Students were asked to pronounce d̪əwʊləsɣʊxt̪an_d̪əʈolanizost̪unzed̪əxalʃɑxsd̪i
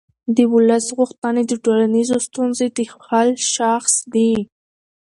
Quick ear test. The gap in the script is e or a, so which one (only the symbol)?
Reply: e